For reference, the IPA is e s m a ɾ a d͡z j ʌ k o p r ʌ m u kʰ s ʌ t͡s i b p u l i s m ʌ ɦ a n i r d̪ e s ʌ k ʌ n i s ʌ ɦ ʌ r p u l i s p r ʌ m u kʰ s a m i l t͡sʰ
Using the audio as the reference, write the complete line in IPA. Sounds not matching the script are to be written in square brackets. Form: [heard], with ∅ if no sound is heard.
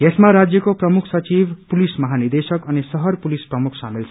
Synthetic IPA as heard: e s m a ɾ a d͡z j ʌ k o p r ʌ m u kʰ s ʌ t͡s i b p u l i s m ʌ ɦ a n i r d̪ e s ʌ k ʌ n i s ʌ ɦ ʌ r p u l i s p r ʌ m u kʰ s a m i l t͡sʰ